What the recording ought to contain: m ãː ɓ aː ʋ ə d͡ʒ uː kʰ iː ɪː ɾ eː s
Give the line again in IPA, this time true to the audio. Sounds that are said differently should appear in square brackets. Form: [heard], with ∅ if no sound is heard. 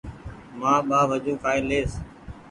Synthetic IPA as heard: m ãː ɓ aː ʋ ə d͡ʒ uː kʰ [aː] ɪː [l] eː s

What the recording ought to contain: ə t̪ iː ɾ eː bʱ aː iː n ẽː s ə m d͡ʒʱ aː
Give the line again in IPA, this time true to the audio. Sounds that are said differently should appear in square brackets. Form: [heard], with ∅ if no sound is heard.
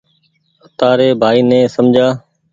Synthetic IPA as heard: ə t̪ [aː] ɾ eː bʱ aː iː n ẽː s ə m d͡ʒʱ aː

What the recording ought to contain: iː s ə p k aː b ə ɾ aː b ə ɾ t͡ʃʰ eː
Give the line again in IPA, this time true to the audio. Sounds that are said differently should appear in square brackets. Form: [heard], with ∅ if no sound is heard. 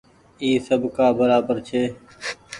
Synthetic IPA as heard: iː s ə [b] k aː b ə ɾ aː b ə ɾ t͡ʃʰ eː

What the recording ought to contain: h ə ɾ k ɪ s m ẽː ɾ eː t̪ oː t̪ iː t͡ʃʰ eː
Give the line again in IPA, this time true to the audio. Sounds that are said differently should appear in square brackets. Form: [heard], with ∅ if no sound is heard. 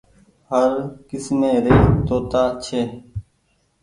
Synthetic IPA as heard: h ə ɾ k ɪ s m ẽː ɾ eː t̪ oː t̪ [aː] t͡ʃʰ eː

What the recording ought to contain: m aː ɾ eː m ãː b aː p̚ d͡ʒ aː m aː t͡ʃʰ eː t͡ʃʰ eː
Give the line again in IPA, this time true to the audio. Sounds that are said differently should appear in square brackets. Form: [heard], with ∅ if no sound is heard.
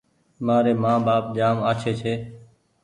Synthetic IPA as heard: m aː ɾ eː m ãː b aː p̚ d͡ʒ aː m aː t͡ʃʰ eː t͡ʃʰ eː

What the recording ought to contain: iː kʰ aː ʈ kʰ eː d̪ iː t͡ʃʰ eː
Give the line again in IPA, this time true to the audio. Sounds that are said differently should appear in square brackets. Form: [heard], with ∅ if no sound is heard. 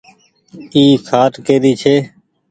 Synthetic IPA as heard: iː kʰ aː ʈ [k] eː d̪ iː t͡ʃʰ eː

